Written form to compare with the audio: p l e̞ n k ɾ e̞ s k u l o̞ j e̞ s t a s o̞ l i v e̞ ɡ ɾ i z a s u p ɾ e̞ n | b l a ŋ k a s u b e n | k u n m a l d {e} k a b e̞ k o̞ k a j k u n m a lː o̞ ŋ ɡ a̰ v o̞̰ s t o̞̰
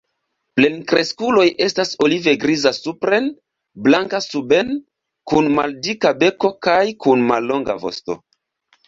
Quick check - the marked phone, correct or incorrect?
incorrect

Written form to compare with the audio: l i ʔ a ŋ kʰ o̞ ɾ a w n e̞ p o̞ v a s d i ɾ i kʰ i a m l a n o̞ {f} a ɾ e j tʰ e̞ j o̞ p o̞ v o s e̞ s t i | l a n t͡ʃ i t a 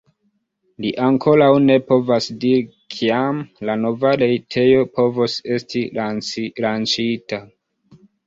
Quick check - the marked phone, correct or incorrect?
incorrect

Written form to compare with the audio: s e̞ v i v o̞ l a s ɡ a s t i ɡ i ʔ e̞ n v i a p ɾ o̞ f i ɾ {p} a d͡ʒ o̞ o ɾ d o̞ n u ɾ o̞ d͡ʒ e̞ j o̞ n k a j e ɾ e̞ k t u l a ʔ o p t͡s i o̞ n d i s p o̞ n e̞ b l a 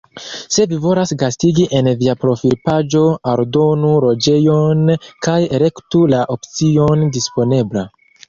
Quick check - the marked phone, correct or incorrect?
correct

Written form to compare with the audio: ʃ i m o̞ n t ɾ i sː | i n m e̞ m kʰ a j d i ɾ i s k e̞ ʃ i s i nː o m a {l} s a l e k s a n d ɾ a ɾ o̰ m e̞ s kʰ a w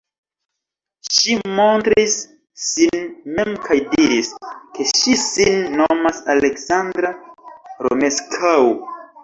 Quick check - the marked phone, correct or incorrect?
incorrect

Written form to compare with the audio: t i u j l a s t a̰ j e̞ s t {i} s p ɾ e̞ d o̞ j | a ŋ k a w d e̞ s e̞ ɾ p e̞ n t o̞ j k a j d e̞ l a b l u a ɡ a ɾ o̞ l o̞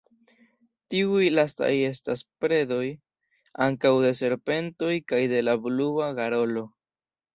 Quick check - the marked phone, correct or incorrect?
incorrect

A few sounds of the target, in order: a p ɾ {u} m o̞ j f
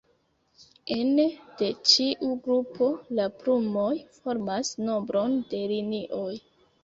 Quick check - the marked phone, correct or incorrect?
correct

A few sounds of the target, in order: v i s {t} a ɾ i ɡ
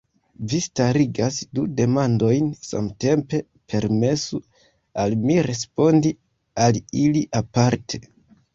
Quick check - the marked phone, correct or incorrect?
correct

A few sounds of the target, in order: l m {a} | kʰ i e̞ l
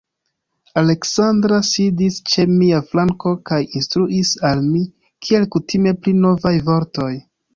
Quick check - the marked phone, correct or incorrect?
incorrect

